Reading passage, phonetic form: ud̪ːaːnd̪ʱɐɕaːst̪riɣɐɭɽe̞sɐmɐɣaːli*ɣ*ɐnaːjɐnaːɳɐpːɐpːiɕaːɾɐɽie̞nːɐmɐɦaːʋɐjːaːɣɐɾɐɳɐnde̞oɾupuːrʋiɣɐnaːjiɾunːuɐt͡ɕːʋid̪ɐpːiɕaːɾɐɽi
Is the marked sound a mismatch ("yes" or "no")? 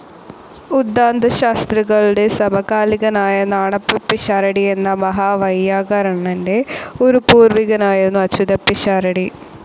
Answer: no